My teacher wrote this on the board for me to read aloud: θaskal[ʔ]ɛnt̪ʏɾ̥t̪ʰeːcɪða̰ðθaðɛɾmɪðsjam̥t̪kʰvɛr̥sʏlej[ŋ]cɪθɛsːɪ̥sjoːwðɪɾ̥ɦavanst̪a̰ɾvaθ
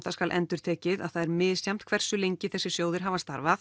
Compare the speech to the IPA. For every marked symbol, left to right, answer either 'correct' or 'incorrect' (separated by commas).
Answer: correct, incorrect